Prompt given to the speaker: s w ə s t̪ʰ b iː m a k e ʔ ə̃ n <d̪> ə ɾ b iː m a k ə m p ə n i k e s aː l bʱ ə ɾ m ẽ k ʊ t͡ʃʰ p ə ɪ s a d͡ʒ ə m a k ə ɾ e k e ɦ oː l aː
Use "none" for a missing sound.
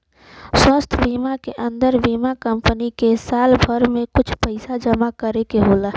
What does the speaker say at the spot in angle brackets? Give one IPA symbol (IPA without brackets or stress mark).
d̪